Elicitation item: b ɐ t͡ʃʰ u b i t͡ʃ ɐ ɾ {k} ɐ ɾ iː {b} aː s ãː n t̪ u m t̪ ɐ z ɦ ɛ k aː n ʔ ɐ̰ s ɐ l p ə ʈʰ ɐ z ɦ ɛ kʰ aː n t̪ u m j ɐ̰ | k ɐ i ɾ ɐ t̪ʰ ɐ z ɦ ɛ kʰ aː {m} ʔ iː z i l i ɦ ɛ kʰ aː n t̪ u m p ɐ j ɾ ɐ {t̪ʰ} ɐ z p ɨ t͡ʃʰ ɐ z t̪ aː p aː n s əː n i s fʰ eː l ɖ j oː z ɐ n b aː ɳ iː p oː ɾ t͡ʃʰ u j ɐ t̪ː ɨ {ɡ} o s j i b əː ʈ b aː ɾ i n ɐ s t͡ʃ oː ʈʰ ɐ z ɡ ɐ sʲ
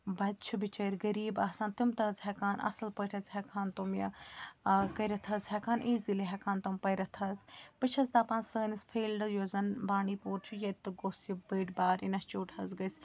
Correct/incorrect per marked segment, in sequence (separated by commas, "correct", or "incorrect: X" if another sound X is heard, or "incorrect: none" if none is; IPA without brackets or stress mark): incorrect: ɡ, correct, incorrect: n, correct, correct